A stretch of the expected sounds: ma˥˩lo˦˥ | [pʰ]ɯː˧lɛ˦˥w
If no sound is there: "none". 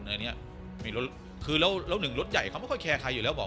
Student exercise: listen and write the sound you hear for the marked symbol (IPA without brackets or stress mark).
kʰ